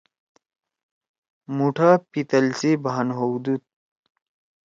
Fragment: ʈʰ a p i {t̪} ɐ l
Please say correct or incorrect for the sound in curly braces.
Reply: correct